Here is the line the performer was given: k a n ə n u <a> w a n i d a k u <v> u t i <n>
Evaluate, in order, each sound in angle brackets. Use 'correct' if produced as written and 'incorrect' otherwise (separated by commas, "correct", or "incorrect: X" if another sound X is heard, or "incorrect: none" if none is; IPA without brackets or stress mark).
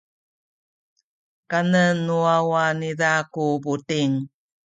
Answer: correct, incorrect: b, incorrect: ŋ